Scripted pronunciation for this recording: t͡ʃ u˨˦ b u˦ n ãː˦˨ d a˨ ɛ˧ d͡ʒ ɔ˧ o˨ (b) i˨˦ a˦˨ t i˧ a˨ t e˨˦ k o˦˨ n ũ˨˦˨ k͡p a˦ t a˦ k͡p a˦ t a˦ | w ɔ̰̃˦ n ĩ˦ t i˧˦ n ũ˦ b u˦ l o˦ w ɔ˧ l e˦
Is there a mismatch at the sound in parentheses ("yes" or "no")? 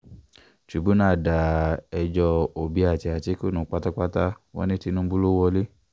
no